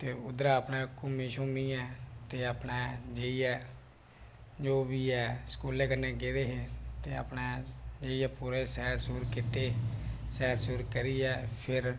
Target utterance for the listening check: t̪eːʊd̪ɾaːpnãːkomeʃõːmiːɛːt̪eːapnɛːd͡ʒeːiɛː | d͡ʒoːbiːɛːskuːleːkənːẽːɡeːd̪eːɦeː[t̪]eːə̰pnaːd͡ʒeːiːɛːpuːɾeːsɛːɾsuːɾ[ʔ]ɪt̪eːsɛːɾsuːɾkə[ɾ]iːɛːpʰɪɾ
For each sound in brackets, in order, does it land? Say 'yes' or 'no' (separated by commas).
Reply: yes, no, yes